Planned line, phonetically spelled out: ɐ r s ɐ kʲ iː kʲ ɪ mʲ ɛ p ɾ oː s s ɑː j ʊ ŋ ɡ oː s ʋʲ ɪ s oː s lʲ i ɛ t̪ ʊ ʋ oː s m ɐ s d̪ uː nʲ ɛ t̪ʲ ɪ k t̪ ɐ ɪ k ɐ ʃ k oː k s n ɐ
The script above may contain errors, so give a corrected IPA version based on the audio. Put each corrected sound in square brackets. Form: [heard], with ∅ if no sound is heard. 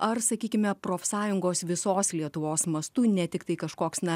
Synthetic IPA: ɐ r s ɐ kʲ iː kʲ ɪ mʲ ɛ p ɾ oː [f] s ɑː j ʊ ŋ ɡ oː s ʋʲ ɪ s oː s lʲ i ɛ t̪ ʊ ʋ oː s m ɐ s [t̪] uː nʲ ɛ t̪ʲ ɪ k t̪ ɐ ɪ k ɐ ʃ k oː k s n ɐ